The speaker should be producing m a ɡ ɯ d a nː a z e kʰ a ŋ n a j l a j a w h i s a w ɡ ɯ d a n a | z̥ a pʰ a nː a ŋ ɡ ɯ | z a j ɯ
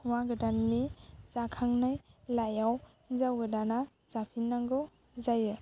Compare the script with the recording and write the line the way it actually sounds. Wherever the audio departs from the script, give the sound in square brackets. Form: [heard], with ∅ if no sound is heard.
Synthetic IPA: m a ɡ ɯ d a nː [i] z [a] kʰ a ŋ n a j l a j a w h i [z] a w ɡ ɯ d a n a | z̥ a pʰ [i] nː a ŋ ɡ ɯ | z a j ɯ

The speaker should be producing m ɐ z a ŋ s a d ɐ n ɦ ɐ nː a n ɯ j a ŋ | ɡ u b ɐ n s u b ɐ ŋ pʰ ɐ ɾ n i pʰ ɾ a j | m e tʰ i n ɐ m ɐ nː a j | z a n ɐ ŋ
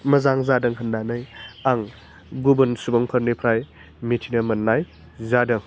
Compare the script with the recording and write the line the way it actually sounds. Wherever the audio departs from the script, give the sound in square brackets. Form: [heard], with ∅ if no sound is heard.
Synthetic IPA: m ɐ z a ŋ [z] a d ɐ [ŋ] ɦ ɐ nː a n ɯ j a ŋ | ɡ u b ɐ n s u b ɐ ŋ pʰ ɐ ɾ n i pʰ ɾ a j | m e tʰ i n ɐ m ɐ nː a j | z a [d] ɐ ŋ

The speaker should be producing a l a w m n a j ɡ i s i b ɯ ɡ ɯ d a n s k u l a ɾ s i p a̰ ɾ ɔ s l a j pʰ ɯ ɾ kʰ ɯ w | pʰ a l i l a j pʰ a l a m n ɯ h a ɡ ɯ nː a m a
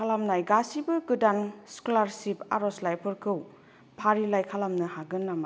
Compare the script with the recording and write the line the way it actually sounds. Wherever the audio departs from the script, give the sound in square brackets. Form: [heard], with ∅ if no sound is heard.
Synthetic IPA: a l a [∅] m n a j ɡ [a] s i b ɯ ɡ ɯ d a n s k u l a ɾ s i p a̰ ɾ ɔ s l a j pʰ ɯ ɾ kʰ ɯ w | pʰ a [ɾ] i l a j [kʰ] a l a m n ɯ h a ɡ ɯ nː a m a

